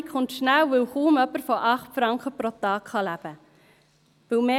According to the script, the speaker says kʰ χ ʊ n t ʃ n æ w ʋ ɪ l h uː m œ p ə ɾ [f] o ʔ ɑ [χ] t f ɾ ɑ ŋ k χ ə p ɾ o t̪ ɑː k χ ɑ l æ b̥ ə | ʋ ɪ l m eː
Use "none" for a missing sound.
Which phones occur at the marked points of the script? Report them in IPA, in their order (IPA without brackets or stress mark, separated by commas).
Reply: f, χ